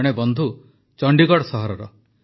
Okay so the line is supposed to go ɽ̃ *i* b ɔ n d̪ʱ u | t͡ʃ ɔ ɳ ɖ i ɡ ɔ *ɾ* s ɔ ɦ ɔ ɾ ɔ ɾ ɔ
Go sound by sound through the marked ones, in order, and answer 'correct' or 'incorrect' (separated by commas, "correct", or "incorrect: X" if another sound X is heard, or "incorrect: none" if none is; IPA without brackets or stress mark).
incorrect: e, incorrect: ɽ